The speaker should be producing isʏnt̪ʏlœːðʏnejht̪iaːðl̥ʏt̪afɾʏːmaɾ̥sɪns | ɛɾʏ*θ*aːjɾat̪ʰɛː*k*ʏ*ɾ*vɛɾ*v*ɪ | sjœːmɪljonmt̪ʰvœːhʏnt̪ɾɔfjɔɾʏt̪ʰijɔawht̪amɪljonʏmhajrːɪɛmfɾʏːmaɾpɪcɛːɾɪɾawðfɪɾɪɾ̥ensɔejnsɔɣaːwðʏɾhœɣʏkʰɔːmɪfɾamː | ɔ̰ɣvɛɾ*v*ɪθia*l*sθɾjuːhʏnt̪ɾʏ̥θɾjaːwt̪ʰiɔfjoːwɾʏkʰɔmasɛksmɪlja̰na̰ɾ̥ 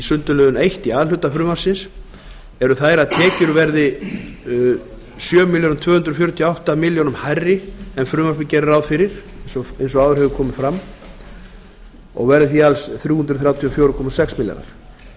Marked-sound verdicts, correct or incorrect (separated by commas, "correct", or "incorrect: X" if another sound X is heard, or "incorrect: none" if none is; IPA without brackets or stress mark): correct, incorrect: c, correct, incorrect: ð, incorrect: ð, correct